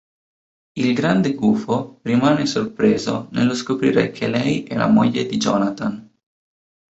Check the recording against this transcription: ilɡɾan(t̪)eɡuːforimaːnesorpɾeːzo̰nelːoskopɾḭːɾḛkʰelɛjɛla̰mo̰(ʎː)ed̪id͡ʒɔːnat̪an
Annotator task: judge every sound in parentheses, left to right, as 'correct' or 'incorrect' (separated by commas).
incorrect, correct